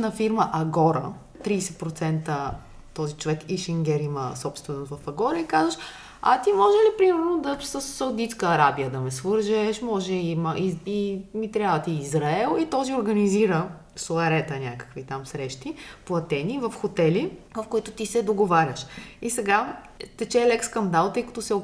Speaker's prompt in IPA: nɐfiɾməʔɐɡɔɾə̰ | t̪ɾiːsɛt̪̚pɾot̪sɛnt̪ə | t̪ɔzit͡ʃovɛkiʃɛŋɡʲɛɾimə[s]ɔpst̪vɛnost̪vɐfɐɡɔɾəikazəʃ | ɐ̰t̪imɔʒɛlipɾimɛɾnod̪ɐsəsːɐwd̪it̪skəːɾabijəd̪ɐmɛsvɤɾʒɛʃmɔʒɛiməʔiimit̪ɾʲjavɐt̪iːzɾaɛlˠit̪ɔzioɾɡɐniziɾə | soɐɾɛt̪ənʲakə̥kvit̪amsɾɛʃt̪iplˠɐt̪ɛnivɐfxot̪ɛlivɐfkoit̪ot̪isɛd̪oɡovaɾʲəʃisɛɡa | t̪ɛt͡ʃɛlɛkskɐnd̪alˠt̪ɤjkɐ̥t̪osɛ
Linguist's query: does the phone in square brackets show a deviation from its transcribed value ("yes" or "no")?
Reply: no